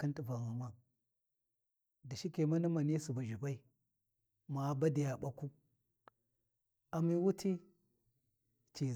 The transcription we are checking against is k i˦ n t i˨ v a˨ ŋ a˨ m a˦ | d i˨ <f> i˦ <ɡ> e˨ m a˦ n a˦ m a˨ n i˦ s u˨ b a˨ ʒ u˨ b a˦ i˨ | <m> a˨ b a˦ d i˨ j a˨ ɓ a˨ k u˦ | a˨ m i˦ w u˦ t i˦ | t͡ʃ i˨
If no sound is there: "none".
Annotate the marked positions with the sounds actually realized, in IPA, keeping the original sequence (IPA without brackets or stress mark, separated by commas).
ʃ, k, m